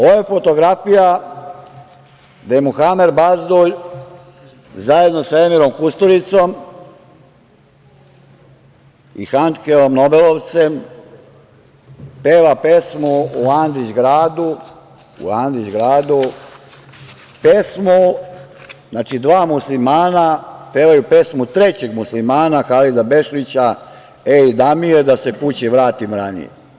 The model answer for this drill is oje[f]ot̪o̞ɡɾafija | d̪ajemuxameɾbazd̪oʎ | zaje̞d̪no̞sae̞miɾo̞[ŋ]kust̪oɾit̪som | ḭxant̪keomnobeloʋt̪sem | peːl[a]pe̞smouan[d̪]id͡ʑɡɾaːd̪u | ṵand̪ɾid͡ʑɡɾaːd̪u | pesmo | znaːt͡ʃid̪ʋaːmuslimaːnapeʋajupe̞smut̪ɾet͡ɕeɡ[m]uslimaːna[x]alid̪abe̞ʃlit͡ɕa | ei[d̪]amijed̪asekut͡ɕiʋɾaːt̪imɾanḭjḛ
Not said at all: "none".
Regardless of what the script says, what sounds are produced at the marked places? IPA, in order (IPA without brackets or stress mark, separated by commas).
f, m, a, d̪, m, x, d̪